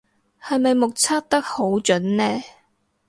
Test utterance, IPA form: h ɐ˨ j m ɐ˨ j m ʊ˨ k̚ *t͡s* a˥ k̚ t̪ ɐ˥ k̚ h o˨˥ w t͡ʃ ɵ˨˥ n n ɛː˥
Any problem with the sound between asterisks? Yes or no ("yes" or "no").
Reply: yes